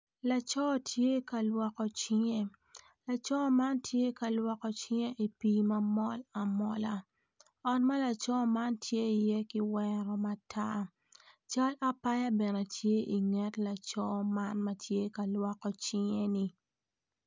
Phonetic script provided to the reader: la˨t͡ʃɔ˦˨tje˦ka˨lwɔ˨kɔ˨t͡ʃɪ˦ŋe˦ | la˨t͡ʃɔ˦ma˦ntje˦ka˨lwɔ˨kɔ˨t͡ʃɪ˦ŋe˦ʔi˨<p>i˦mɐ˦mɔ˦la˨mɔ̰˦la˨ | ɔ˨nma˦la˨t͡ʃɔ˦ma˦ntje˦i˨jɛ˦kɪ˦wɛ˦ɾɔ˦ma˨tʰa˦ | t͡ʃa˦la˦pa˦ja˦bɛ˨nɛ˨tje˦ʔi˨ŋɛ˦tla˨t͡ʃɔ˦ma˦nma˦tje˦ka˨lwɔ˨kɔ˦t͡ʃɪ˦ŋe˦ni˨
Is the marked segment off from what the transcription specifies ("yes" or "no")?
no